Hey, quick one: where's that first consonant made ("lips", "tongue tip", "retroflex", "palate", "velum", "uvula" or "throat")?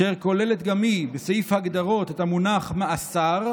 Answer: uvula